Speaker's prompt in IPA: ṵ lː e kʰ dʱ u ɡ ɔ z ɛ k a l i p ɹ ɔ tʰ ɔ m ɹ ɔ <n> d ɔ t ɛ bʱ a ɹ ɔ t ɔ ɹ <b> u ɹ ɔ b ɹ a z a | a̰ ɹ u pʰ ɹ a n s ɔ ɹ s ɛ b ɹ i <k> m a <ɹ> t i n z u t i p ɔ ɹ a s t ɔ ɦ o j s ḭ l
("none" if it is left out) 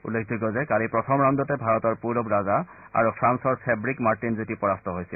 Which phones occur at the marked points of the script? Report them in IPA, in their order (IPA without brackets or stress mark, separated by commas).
n, p, k, ɹ